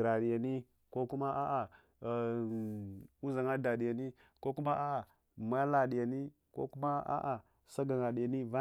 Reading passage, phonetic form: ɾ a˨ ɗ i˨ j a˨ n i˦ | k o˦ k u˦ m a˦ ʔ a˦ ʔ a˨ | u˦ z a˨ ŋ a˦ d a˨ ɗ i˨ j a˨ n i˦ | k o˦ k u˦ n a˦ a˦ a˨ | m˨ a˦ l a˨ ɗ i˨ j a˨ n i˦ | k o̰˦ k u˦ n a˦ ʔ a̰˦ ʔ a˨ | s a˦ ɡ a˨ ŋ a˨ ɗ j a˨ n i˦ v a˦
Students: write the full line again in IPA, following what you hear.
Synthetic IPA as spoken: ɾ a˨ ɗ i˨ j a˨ n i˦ | k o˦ k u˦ m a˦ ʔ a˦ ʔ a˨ | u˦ z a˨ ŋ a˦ d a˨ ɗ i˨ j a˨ n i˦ | k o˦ k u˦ m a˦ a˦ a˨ | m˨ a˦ l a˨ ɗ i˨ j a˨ n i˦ | k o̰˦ k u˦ m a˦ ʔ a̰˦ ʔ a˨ | s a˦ ɡ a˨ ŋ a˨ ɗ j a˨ n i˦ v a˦

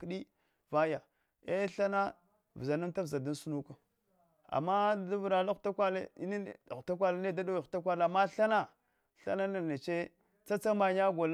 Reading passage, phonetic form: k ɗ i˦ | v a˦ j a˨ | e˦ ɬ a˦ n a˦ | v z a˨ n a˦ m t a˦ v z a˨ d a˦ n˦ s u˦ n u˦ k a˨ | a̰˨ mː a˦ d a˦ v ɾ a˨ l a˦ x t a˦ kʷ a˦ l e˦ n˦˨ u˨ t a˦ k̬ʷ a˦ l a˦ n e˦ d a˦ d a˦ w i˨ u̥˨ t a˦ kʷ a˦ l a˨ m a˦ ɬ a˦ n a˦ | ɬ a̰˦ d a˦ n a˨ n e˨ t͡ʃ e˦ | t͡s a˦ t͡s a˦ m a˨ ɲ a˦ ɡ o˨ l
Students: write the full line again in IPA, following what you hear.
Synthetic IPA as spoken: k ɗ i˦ | v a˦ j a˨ | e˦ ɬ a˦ n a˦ | v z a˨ n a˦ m t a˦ v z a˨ d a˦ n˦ s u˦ n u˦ k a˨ | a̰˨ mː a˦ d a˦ v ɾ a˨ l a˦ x t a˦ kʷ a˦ l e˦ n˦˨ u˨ t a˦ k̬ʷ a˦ l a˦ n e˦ d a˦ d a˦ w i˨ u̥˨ t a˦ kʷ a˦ l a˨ m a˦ ɬ a˦ n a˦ | ɬ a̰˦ n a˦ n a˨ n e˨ t͡ʃ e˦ | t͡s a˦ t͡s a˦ m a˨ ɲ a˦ ɡ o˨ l

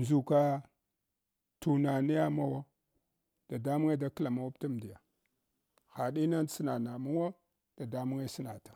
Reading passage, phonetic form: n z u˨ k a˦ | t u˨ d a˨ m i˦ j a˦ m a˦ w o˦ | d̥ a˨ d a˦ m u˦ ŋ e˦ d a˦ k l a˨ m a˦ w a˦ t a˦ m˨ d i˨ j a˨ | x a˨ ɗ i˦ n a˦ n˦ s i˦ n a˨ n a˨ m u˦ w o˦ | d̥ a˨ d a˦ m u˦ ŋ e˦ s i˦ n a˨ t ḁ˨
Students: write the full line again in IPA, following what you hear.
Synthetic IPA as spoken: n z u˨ k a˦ | t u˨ n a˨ n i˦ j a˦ m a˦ w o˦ | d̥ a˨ d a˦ m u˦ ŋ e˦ d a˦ k l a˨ m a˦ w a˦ t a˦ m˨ d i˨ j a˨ | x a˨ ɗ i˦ n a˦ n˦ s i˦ n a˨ n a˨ m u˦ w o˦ | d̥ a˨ d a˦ m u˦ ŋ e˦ s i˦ n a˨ t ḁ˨

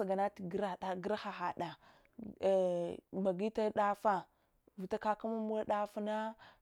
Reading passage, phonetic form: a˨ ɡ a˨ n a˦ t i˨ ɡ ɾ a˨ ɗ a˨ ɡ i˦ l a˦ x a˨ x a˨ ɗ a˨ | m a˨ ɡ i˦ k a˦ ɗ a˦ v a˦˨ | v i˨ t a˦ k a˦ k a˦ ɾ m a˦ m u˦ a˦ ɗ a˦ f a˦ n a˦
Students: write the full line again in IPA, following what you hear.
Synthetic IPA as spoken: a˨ ɡ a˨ n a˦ t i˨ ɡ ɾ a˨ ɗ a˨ ɡ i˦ ɾ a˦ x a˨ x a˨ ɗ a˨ | m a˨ ɡ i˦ t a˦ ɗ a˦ f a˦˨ | v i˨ t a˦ k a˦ k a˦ m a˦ m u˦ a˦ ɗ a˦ f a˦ n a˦

